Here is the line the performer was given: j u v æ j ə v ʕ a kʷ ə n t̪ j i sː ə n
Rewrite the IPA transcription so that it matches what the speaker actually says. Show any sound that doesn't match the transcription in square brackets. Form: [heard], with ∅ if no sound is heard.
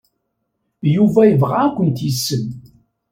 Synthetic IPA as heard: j u v æ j ə v [ʁ] a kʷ ə n t̪ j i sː ə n